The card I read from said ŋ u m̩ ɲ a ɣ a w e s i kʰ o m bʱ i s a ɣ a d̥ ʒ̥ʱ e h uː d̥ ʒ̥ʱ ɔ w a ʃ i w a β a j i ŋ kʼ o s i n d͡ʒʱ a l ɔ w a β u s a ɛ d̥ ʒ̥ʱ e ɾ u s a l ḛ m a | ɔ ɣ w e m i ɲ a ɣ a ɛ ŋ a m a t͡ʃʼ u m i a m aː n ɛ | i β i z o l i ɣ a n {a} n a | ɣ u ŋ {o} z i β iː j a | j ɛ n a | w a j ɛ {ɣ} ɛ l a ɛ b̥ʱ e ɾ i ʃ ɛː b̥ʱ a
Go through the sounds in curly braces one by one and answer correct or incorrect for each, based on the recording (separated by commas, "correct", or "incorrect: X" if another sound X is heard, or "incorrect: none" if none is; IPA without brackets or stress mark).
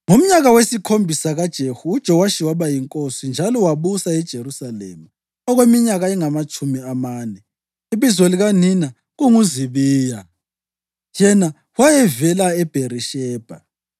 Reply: incorrect: i, incorrect: u, incorrect: v